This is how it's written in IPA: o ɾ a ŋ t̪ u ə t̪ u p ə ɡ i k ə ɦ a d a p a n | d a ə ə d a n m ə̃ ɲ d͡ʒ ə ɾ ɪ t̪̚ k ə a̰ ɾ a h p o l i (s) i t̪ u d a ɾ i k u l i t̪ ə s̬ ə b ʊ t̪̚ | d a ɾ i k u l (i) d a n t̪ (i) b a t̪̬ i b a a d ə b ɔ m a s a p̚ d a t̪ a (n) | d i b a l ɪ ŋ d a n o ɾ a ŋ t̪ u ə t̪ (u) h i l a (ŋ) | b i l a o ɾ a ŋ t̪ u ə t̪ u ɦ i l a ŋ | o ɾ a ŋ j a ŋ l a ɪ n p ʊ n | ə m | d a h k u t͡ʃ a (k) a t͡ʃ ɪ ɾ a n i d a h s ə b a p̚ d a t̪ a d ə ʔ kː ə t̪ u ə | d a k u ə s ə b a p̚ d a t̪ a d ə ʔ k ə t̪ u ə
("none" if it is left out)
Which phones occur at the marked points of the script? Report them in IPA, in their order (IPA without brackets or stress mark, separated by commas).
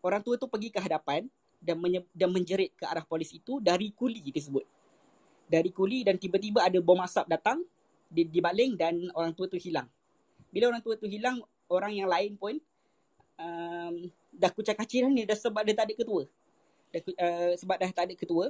s, i, i, ŋ, u, ŋ, k